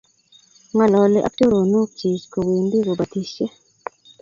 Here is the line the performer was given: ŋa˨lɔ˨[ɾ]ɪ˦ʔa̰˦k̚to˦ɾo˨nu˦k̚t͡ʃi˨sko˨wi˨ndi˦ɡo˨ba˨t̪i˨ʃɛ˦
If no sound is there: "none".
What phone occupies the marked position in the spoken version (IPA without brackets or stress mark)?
l